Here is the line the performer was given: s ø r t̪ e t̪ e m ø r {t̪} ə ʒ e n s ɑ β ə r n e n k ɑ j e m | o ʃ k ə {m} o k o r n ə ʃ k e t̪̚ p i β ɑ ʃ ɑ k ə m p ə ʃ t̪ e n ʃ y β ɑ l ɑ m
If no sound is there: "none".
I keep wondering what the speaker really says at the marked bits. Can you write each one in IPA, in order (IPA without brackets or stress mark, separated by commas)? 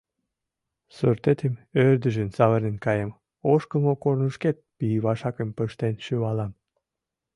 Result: d̪, m